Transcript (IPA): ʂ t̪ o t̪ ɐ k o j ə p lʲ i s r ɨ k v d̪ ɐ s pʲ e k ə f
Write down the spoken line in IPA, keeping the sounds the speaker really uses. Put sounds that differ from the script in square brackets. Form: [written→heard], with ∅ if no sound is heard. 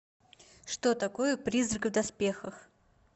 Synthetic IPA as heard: ʂ t̪ o t̪ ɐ k o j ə p [lʲ→ɾʲ] i [s→z] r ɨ k v d̪ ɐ s pʲ e [k→x] ə [f→x]